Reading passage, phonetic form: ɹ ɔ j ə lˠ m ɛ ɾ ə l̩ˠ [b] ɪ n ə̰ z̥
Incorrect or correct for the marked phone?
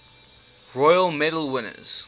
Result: incorrect: w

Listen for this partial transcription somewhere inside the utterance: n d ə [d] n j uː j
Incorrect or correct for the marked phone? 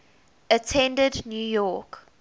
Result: correct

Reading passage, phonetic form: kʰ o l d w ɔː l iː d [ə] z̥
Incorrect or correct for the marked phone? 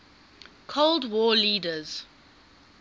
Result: correct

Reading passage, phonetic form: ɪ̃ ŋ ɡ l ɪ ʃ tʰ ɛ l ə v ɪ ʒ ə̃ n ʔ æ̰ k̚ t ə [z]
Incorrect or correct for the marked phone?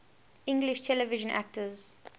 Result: correct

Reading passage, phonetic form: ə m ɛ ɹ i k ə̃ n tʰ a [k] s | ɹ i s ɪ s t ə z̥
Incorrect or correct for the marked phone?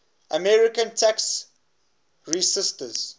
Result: correct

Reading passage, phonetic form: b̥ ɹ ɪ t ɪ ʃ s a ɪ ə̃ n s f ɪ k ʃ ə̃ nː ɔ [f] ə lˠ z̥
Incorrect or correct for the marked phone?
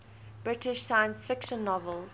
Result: incorrect: v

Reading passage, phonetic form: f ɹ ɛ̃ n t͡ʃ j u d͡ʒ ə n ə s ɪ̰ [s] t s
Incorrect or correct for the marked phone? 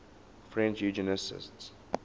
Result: correct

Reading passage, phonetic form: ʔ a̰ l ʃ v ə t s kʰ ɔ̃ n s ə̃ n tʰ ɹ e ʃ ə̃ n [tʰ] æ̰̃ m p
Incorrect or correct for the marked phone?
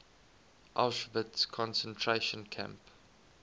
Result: incorrect: kʰ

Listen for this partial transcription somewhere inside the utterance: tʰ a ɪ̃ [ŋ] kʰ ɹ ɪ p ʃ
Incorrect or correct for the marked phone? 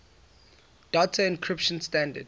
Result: incorrect: n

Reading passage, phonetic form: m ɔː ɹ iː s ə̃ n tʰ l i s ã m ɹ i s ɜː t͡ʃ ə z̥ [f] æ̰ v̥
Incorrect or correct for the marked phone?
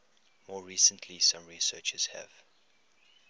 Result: incorrect: h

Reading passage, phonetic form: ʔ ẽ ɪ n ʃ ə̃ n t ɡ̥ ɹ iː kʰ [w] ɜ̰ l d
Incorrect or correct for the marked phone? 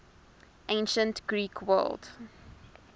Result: correct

